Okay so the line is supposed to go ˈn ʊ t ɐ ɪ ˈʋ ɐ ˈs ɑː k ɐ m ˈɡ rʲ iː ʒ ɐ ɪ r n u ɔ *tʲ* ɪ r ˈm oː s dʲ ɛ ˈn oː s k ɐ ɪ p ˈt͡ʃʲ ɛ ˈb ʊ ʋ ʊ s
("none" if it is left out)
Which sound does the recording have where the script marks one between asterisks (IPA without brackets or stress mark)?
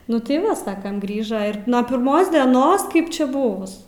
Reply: pʲ